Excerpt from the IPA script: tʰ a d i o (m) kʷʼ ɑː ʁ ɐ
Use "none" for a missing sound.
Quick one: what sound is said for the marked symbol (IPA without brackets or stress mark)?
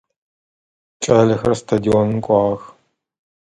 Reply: n